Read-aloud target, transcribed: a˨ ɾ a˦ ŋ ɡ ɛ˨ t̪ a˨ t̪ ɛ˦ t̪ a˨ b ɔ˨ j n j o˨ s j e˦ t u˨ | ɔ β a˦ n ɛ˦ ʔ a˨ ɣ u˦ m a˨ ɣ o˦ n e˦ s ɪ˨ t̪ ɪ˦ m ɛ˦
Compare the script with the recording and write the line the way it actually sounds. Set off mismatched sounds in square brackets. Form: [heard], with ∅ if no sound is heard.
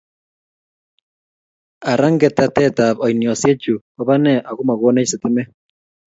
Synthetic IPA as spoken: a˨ ɾ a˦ ŋ ɡ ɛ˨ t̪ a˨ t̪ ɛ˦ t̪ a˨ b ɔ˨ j n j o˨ s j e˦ [t͡ʃ] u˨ | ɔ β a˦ n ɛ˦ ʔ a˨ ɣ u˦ m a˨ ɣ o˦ n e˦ s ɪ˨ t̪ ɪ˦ m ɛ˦

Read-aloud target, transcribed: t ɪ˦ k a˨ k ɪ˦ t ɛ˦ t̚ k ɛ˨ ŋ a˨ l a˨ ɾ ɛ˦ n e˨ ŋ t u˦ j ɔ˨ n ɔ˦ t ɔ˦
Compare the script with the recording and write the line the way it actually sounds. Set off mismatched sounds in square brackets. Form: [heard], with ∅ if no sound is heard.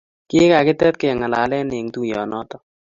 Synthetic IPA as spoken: [k] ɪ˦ k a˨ k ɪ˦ t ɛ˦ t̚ k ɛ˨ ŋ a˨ l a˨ [l] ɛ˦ n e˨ ŋ t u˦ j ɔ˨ n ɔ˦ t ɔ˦

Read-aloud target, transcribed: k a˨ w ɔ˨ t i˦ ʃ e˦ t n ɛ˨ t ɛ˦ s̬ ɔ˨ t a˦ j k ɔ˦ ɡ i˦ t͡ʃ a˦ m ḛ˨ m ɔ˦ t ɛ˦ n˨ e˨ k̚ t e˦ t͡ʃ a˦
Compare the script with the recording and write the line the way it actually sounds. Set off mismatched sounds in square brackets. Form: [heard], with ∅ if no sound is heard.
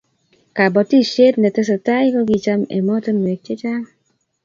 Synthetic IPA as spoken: k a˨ [b] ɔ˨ t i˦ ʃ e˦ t n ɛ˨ t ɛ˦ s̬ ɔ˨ t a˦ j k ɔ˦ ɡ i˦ t͡ʃ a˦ m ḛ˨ m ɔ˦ t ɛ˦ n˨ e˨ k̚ [t͡ʃ] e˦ t͡ʃ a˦

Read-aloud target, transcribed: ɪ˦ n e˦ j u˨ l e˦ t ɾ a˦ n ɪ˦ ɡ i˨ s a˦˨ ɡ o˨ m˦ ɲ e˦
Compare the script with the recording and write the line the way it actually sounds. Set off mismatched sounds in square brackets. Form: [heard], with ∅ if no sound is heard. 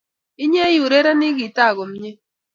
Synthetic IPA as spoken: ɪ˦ [ɲ] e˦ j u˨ [ɾ] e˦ [∅] ɾ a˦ n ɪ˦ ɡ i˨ [t] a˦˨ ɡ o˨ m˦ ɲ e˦

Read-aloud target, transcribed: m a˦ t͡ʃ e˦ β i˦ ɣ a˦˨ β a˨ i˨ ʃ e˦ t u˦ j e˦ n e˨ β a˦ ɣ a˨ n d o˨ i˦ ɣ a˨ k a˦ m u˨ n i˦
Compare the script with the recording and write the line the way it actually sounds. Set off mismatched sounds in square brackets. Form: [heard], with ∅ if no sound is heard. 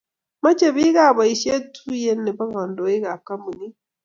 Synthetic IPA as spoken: m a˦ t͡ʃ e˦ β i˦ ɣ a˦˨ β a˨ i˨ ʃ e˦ t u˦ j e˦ n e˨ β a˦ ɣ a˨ n d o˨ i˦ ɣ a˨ k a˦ m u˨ n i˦

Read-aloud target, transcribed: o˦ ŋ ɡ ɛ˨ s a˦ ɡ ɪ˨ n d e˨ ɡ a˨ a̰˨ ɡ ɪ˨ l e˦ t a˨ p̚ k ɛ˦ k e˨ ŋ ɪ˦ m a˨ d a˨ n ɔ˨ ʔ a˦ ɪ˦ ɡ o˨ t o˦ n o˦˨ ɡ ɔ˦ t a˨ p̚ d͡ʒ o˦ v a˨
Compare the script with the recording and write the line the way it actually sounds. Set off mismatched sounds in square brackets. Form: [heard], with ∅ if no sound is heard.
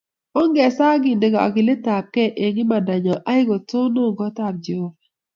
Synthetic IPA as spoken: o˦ ŋ ɡ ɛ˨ s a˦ ɡ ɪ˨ n d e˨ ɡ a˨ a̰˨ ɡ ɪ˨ l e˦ t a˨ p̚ k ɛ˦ [ʔ] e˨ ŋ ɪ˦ m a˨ d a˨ [ɲ] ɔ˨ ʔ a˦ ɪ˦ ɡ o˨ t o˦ n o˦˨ ɡ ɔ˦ t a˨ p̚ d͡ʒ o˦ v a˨

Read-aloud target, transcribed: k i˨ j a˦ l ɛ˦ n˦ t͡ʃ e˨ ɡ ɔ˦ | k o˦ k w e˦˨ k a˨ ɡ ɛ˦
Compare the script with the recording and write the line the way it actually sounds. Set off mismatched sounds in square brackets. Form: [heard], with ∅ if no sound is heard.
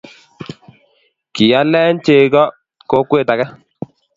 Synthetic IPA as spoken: k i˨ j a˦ l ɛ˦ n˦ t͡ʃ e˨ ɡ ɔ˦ | k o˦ k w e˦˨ [t] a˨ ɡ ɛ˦

